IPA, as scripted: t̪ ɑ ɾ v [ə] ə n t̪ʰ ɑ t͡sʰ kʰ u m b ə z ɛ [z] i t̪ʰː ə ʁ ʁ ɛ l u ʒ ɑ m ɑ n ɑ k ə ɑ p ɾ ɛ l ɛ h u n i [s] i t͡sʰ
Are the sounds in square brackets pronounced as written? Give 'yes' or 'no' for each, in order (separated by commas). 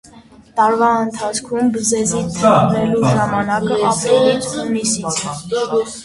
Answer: no, yes, yes